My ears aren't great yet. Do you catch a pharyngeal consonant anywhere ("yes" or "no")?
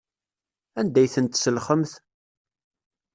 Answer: no